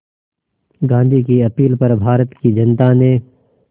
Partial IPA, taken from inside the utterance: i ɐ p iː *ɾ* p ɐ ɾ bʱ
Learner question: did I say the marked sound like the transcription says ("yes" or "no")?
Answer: no